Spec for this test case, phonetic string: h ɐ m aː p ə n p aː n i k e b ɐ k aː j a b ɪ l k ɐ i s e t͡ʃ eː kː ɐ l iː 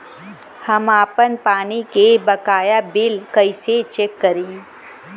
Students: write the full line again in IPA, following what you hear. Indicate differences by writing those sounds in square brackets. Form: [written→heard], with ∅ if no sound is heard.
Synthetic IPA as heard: h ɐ m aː p ə n p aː n i k e b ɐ k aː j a b ɪ l k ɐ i s e t͡ʃ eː kː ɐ [l→ɾ] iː